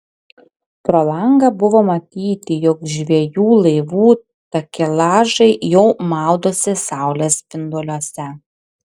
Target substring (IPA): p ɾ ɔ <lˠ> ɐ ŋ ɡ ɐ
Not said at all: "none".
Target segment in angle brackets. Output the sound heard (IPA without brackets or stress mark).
lˠ